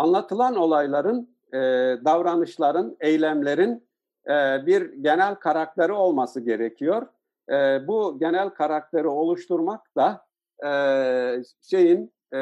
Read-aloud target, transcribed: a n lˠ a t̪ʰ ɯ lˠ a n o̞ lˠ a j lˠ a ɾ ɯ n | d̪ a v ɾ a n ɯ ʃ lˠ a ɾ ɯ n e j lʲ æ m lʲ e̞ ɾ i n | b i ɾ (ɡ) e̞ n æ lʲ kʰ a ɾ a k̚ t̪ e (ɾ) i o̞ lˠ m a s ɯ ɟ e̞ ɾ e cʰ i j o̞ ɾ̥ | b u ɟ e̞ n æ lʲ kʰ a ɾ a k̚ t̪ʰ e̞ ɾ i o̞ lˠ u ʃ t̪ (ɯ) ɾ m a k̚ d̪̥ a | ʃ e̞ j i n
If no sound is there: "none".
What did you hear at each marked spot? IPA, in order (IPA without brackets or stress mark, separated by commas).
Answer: ɟ, ɾ, u